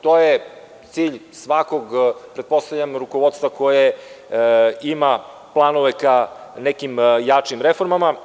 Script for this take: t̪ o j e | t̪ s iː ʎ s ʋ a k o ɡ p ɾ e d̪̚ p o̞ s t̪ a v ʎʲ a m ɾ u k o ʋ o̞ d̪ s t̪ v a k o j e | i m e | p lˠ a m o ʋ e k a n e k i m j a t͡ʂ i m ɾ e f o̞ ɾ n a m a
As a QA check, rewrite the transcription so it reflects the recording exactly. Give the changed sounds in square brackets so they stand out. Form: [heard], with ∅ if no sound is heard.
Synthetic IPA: t̪ o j e | t̪ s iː ʎ s ʋ a k o ɡ p ɾ e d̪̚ p o̞ s t̪ a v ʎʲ a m ɾ u k o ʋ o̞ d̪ s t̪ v a k o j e | i m [a] | p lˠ a [n] o ʋ e k a n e k i m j a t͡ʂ i m ɾ e f o̞ ɾ [m] a m a